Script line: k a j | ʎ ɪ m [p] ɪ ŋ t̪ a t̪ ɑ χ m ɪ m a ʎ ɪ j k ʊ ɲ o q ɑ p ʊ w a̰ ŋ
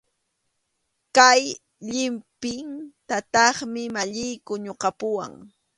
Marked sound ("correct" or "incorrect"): correct